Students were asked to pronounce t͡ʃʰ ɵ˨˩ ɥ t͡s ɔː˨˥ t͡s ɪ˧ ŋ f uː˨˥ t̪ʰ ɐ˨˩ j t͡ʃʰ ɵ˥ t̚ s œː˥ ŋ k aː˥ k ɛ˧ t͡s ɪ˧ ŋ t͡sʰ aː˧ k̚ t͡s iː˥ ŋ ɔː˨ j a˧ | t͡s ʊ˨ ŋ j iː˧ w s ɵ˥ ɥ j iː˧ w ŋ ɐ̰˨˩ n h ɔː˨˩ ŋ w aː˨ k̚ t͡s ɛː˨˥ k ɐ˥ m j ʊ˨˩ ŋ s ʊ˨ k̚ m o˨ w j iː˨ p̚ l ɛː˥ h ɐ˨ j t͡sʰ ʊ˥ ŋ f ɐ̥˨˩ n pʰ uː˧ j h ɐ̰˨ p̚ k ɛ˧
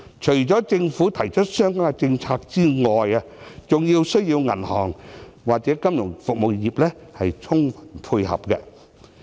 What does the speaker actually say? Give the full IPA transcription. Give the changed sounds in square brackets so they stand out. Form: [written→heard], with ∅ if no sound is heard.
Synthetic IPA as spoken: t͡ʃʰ ɵ˨˩ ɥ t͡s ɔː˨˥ t͡s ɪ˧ ŋ f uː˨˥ t̪ʰ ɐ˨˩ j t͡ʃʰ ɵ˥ t̚ s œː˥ ŋ k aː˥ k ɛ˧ t͡s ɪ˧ ŋ t͡sʰ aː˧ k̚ t͡s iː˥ ŋ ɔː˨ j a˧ | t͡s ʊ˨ ŋ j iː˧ w s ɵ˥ ɥ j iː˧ w ŋ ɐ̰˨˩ n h ɔː˨˩ ŋ w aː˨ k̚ t͡s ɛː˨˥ k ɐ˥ m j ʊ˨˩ ŋ [s→f] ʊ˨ k̚ m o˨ w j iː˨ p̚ l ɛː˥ h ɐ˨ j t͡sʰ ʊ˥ ŋ f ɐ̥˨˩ n pʰ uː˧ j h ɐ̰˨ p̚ k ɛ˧